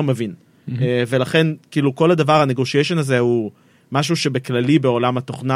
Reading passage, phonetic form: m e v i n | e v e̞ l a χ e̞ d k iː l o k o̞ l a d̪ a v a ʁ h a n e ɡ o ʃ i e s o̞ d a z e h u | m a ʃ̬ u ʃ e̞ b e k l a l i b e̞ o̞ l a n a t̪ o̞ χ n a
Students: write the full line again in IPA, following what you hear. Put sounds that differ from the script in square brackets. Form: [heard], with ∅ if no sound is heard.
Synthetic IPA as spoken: m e v i n | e v e̞ l a χ e̞ [n] k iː l [u] k o̞ l a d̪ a v a ʁ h a n e ɡ o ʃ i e [ʃ] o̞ [n] a z e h u | m a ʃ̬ u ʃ e̞ b e k l a l i b e̞ o̞ l a [m] a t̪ o̞ χ n a